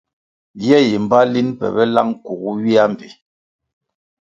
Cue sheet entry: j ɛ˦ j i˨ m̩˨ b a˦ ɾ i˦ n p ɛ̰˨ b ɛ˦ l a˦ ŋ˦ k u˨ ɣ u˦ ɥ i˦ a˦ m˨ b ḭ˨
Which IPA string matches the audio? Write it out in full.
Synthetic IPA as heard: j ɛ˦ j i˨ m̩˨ b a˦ l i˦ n p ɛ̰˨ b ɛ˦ l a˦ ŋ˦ k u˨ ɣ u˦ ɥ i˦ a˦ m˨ b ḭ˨